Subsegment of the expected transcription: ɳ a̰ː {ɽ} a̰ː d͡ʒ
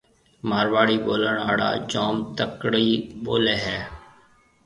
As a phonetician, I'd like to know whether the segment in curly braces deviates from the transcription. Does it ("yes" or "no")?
no